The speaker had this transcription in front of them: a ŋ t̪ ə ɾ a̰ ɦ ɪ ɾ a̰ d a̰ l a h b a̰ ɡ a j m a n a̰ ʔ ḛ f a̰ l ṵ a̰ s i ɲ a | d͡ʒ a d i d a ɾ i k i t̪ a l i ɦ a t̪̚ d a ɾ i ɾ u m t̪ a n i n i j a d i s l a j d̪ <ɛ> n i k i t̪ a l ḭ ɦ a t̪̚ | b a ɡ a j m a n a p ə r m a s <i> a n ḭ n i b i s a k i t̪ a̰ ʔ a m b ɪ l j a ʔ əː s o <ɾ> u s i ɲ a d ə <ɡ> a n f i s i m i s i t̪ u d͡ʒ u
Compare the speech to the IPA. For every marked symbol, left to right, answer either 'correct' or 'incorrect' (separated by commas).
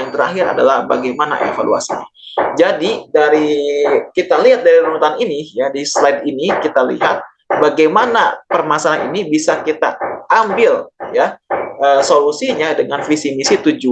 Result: incorrect, incorrect, incorrect, incorrect